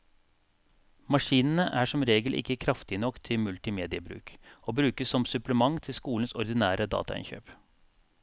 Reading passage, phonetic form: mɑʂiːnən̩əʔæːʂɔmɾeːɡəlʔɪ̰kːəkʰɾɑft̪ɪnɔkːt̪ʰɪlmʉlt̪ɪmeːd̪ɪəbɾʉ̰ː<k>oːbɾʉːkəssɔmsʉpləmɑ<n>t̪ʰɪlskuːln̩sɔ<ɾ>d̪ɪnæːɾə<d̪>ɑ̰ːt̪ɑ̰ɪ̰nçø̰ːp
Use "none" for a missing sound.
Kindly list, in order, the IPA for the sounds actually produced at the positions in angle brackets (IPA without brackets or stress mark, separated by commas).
k, ŋ, ɾ, d̪